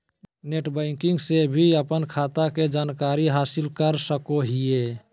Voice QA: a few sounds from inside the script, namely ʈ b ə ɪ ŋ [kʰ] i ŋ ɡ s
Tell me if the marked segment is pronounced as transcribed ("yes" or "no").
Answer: no